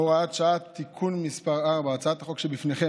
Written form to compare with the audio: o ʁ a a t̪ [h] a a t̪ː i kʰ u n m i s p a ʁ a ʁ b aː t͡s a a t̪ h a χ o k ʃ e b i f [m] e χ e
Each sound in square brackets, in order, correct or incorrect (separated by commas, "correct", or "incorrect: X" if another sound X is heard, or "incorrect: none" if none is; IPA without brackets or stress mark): incorrect: ʃ, incorrect: n